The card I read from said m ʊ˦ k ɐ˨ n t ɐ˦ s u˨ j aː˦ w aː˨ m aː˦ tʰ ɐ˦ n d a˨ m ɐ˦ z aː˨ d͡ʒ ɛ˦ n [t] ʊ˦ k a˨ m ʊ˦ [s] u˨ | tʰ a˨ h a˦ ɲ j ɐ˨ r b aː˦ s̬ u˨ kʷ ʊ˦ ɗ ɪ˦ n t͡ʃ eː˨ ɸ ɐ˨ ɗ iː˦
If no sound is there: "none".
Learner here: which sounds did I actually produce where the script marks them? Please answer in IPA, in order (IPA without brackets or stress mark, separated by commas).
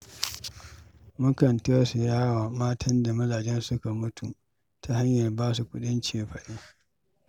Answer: s, t